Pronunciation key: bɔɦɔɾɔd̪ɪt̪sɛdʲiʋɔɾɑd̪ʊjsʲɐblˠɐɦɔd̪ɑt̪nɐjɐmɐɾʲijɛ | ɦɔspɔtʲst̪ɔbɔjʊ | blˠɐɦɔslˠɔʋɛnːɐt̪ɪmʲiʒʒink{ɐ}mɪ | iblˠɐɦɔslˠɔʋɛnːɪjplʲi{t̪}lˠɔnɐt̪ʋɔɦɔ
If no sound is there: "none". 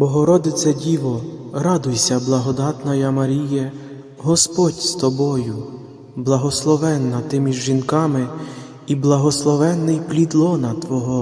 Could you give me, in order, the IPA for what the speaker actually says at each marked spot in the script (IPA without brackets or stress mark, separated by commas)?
ɑ, d̪